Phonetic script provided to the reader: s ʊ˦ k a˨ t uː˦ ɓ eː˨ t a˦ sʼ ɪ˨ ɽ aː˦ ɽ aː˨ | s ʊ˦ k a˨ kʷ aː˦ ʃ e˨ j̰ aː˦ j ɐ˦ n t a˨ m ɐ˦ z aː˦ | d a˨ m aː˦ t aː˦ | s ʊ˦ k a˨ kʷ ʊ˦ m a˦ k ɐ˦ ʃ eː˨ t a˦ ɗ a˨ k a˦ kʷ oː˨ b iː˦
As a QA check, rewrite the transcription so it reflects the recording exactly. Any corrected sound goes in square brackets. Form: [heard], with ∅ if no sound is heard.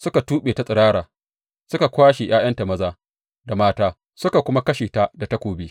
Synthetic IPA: s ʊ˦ k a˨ t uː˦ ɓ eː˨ t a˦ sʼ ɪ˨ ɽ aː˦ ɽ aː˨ | s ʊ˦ k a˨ kʷ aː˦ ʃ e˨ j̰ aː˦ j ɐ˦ n t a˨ m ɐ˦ z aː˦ | d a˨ m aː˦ t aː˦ | s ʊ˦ k a˨ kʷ ʊ˦ m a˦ k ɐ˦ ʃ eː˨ t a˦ [d] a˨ [t] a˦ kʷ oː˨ b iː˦